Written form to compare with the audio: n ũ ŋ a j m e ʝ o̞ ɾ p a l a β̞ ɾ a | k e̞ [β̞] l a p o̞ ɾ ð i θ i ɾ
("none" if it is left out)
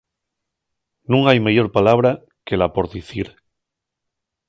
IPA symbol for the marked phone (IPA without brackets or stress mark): none